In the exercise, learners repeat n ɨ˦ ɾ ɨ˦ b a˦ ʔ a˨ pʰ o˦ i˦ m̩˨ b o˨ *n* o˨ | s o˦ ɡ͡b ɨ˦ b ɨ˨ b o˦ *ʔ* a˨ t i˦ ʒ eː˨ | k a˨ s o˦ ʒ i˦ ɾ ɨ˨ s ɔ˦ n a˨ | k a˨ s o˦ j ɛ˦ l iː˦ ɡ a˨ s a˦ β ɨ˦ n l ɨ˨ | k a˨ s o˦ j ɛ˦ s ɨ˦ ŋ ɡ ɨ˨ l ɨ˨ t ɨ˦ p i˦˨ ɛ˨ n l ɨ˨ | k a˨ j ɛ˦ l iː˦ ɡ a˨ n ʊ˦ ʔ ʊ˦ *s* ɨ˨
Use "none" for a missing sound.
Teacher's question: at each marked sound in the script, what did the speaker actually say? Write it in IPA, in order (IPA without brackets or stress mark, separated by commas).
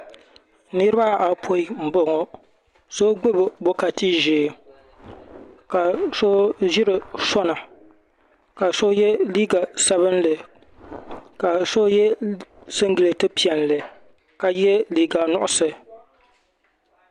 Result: ŋ, k, s